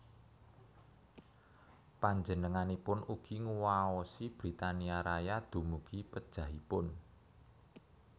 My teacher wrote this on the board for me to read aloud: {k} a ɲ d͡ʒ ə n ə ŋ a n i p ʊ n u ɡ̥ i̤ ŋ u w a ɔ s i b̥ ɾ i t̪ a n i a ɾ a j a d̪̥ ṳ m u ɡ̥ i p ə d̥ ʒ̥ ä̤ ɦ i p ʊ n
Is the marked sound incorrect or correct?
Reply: incorrect